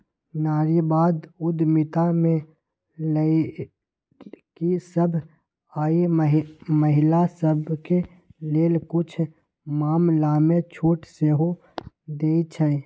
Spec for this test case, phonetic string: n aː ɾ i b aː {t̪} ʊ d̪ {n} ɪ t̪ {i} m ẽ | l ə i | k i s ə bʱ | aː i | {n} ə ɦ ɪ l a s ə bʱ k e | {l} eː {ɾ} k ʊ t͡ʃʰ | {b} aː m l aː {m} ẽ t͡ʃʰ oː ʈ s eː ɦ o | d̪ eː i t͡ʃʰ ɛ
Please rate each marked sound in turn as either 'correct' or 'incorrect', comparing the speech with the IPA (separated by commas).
incorrect, incorrect, incorrect, incorrect, correct, incorrect, incorrect, correct